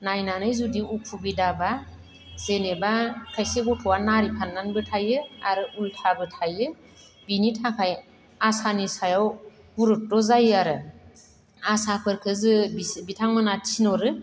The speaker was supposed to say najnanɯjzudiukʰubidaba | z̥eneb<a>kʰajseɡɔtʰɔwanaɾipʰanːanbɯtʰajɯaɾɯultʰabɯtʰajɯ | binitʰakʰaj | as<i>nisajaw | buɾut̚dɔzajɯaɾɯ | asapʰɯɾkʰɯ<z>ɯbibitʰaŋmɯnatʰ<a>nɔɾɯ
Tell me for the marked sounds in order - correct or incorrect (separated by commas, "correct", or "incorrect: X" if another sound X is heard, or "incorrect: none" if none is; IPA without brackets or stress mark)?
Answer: correct, incorrect: a, correct, incorrect: i